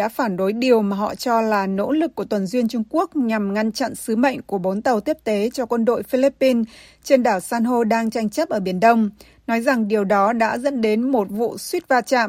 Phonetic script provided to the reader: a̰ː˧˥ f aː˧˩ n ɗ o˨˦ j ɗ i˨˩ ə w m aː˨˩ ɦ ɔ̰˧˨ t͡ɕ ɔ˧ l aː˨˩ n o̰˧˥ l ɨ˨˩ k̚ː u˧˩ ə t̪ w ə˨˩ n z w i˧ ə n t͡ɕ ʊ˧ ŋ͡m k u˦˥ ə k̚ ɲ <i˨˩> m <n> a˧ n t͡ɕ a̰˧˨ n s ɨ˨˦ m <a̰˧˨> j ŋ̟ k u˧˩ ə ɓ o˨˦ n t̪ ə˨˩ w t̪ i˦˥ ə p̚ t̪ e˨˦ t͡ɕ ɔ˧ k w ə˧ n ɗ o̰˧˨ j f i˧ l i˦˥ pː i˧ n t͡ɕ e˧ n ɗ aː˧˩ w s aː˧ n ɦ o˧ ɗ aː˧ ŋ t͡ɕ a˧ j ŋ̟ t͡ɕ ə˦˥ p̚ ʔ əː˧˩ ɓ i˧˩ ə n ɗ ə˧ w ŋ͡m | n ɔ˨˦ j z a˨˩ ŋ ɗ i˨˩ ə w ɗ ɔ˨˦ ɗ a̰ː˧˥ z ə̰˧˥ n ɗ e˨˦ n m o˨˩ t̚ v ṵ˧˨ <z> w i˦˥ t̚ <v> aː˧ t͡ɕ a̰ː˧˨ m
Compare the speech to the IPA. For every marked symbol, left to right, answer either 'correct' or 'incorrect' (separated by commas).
incorrect, incorrect, incorrect, incorrect, correct